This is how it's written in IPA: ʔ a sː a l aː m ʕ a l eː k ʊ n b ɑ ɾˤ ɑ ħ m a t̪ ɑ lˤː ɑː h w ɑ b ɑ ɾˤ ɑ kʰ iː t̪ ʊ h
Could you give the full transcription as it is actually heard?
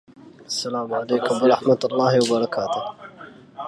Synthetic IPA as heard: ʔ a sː a l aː m ʕ a l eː k ʊ m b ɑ ɾˤ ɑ ħ m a t̪ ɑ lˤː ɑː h w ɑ b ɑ ɾˤ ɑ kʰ aː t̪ ʊ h